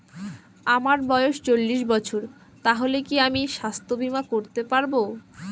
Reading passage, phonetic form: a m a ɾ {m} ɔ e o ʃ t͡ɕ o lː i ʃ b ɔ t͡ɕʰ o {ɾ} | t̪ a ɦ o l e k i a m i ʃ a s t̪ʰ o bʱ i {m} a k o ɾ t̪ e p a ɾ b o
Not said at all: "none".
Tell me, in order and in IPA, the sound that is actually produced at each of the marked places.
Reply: b, ɾ, m

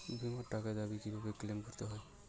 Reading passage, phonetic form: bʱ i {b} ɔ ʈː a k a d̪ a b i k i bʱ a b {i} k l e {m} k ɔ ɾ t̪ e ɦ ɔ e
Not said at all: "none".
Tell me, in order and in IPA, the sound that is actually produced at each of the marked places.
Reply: m, e, m

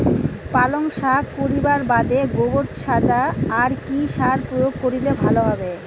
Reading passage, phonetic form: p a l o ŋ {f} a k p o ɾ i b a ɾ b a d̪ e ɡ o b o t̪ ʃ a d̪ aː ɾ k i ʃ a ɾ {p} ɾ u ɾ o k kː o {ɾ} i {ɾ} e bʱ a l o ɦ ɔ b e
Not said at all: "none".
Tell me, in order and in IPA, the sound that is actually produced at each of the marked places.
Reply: ʃ, p, ɾ, l

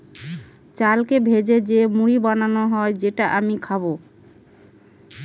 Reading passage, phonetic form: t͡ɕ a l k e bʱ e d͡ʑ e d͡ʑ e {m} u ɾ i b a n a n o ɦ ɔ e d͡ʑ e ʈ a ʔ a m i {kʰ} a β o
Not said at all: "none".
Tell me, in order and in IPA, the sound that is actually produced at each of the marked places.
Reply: m, kʰ

